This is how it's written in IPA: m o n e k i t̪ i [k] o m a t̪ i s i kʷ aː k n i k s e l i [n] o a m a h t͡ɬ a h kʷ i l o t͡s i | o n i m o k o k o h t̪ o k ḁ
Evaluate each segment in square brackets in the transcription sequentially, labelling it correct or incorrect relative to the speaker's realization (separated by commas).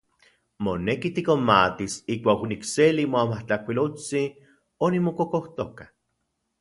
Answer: correct, incorrect